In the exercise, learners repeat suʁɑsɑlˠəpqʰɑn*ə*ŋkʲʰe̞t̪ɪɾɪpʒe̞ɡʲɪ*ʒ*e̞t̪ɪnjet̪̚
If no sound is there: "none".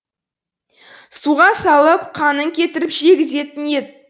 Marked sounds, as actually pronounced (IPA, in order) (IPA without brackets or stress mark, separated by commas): ə, z